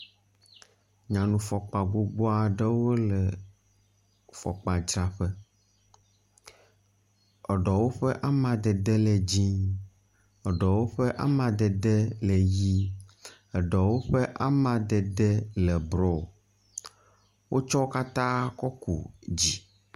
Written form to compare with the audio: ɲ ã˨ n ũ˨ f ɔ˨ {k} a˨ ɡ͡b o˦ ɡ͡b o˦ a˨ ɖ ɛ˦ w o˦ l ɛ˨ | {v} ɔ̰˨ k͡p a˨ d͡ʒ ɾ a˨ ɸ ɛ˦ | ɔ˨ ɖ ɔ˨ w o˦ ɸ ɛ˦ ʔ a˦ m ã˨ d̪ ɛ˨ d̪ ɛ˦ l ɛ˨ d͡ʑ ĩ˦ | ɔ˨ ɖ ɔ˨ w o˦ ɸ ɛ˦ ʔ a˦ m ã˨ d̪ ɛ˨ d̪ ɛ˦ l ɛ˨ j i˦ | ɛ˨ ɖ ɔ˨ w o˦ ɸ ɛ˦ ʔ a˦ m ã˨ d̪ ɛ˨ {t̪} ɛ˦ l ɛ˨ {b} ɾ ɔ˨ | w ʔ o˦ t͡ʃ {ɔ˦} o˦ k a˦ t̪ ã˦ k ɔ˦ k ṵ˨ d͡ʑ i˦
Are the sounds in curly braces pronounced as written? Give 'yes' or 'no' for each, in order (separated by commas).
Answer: no, no, no, yes, yes